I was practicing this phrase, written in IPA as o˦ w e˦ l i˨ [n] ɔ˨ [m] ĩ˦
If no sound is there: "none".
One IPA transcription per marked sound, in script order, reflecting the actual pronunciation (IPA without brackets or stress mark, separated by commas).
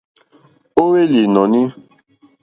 n, n